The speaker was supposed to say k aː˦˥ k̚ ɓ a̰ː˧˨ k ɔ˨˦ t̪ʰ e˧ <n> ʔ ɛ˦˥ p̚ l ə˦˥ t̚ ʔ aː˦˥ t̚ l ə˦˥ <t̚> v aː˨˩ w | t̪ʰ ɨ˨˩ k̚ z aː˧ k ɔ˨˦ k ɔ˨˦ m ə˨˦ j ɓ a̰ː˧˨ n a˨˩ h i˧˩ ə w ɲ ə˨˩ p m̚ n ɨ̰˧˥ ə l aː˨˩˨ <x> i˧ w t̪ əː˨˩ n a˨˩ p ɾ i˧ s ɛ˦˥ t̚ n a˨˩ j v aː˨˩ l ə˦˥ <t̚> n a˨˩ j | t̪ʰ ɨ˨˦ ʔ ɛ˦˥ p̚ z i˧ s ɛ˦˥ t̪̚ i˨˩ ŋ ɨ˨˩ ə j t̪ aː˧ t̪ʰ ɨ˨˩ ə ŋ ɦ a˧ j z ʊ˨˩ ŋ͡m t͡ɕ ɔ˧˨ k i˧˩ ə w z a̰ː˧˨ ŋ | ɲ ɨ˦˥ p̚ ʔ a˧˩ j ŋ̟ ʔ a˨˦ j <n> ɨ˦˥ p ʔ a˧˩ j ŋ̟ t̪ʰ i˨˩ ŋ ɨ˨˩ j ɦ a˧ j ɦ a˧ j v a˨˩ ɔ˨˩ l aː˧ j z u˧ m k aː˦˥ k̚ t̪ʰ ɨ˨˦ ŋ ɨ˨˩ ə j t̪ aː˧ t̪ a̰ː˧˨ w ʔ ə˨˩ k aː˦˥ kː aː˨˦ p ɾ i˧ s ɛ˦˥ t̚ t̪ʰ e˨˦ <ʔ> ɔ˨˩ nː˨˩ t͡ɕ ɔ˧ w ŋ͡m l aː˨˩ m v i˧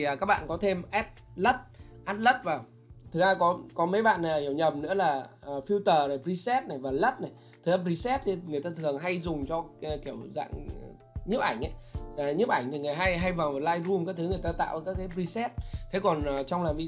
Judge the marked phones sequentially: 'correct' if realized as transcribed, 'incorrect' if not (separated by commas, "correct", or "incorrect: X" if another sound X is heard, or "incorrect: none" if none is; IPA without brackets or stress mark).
incorrect: m, correct, incorrect: f, correct, incorrect: ɲ, incorrect: k